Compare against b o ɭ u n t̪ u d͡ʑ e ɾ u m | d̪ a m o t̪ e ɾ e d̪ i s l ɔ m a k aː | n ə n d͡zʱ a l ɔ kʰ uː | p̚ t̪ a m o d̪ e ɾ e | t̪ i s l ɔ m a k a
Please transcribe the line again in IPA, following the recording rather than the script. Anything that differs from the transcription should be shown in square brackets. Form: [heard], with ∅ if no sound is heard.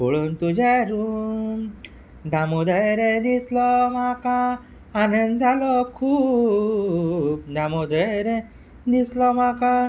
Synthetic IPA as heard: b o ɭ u n t̪ u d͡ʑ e ɾ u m | d̪ a m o [d̪] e ɾ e d̪ i s l ɔ m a k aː | n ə n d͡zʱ a l ɔ kʰ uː | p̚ [d̪] a m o d̪ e ɾ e | [d̪] i s l ɔ m a k a